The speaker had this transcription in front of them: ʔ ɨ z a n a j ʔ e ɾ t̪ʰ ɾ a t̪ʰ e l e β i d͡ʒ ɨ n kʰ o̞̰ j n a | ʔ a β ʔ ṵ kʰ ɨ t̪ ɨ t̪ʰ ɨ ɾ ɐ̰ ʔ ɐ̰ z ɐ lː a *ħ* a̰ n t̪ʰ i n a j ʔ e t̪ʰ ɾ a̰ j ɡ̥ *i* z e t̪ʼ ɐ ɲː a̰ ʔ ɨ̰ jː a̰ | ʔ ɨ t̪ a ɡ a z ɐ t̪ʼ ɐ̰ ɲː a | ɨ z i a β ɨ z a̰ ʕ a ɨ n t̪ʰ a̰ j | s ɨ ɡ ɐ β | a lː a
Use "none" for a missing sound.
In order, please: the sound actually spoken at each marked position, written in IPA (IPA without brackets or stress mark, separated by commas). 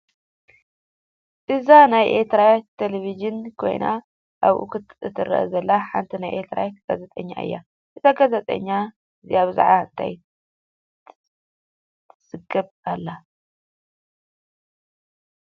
ħ, a